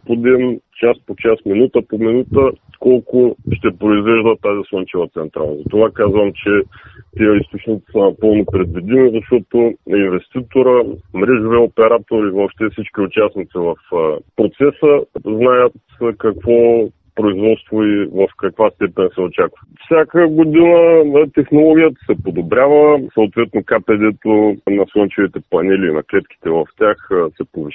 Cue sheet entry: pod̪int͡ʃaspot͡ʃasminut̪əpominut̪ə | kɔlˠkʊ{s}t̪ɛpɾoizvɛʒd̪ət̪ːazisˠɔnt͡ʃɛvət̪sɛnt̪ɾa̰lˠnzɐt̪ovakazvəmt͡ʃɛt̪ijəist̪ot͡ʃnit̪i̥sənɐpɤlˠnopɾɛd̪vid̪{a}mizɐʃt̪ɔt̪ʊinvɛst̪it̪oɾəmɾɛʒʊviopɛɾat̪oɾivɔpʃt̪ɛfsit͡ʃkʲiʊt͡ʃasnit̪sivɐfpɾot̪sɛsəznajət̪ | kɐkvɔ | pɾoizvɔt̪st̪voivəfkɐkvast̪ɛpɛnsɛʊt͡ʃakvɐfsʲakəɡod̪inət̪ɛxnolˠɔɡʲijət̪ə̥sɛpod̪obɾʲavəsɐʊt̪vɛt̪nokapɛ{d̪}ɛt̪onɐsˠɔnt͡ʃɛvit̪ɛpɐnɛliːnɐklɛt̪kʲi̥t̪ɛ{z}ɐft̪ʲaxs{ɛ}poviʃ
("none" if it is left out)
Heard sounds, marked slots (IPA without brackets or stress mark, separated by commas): ʃ, i, d̪, v, ɛ